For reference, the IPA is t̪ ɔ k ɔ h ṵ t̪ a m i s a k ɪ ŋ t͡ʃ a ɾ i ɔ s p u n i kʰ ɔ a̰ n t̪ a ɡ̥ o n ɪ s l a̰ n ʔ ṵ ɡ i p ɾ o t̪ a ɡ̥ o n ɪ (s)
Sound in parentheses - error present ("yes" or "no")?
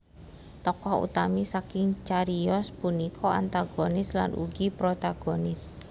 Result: no